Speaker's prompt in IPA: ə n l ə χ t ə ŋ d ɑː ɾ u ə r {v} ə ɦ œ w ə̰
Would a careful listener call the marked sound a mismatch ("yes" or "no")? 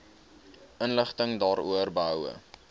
yes